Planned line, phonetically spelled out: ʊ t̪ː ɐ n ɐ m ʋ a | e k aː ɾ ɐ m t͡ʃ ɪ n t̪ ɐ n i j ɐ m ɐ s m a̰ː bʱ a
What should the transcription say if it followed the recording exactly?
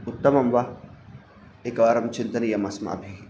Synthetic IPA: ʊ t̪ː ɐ m ɐ m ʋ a | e k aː ɾ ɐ m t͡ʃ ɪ n t̪ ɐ n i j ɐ m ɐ s m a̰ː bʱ i